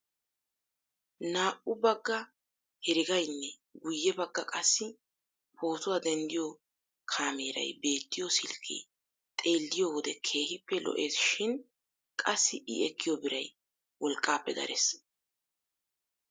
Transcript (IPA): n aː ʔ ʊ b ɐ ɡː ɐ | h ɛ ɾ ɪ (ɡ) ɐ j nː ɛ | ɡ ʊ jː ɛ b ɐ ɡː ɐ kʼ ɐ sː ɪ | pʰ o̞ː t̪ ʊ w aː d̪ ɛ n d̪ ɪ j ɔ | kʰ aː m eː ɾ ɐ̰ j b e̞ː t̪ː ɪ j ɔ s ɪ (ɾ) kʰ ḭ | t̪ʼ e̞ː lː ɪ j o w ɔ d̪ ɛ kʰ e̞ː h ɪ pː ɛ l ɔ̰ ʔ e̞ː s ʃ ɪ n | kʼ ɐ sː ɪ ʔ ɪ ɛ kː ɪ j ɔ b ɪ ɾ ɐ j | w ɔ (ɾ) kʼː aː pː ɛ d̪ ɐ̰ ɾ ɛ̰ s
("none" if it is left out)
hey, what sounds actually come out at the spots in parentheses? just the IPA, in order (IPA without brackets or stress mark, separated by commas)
ɡ, l, l